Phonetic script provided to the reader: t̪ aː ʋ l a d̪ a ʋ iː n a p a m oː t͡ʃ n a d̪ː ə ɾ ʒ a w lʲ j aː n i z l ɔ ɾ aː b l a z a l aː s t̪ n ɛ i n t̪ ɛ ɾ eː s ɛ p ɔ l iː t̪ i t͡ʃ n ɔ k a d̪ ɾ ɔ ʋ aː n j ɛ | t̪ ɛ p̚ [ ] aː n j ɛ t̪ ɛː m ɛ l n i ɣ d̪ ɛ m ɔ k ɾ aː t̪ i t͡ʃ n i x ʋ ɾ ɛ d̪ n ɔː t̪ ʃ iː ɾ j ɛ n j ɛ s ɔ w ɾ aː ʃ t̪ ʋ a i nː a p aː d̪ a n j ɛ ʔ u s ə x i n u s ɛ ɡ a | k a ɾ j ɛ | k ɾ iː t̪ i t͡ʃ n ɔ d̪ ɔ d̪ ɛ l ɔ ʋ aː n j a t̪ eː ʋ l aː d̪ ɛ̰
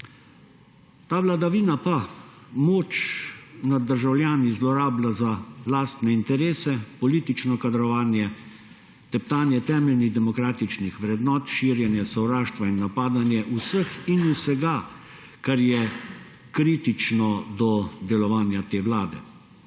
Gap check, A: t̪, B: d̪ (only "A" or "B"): A